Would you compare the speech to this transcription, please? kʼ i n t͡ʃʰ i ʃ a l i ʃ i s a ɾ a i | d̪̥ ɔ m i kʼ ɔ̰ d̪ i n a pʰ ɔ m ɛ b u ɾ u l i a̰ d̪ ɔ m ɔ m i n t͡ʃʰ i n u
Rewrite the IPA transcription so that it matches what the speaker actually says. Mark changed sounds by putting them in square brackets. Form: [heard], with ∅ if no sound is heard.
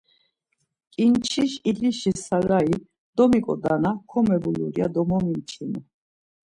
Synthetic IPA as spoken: kʼ i n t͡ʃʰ i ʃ [i] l i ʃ i s a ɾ a i | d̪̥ ɔ m i kʼ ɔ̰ d̪ [a] n a [kʰ] ɔ m ɛ b u [l] u [ɾ] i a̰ d̪ ɔ m ɔ m i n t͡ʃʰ i n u